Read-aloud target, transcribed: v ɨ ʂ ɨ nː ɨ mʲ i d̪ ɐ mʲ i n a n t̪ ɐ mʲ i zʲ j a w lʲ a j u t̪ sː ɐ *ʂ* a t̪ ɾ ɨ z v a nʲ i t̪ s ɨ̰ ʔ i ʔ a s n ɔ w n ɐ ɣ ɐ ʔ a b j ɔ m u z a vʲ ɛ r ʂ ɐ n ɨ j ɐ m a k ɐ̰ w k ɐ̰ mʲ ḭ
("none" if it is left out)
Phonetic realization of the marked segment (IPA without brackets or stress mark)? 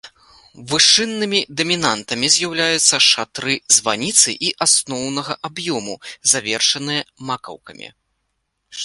ʂ